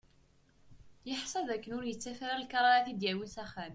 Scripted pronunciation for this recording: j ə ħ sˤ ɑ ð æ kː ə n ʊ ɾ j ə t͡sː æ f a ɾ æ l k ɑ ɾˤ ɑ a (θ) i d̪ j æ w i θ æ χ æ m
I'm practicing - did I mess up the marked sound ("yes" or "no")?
no